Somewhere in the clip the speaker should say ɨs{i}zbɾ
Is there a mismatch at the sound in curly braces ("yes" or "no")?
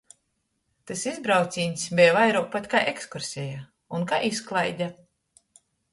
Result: no